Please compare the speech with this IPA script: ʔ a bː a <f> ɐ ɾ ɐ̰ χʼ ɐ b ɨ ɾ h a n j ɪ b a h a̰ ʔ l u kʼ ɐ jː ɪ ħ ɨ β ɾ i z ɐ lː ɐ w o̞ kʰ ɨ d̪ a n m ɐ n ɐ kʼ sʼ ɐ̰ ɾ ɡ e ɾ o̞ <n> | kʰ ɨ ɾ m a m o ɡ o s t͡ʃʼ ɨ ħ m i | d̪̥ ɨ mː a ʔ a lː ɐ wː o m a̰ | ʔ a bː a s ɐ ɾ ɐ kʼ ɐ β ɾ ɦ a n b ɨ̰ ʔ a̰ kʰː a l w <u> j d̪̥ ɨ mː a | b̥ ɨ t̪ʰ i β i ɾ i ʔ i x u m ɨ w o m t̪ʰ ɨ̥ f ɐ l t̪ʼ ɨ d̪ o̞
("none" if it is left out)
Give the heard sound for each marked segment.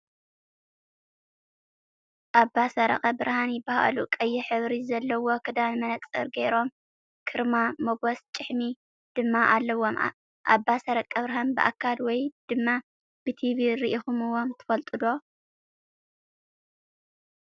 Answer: s, m, ɔ

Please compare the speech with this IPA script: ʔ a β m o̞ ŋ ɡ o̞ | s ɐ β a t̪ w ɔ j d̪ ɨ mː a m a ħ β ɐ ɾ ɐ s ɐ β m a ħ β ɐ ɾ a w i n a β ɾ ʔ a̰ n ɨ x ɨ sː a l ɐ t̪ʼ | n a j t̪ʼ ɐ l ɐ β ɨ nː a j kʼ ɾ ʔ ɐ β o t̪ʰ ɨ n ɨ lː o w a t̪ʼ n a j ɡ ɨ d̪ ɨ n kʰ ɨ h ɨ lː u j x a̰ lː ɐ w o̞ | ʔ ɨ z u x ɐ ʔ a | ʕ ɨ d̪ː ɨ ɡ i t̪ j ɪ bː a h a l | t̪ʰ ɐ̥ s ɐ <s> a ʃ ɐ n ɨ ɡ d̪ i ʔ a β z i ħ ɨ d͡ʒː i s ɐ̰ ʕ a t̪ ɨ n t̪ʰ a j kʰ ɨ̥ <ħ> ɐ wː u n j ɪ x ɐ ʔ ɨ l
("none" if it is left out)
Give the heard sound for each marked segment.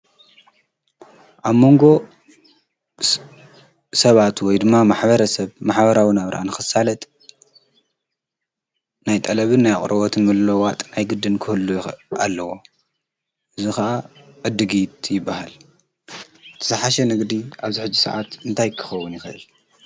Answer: ħ, x

